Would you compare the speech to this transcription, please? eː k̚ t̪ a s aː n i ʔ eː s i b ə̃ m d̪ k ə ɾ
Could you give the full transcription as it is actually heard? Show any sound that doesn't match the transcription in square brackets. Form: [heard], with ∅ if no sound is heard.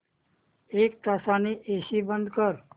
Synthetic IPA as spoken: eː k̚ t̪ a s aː n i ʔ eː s i b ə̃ [n] d̪ k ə ɾ